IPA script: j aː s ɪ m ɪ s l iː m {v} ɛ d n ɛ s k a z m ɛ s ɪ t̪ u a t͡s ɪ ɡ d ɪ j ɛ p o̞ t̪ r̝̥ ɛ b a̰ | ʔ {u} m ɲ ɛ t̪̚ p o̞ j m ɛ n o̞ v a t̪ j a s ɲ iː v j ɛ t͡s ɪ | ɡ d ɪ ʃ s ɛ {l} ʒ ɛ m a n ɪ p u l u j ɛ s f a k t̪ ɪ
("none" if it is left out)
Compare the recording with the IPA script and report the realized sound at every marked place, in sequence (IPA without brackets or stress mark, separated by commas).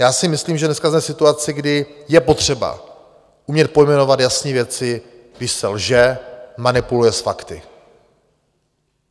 ʒ, u, l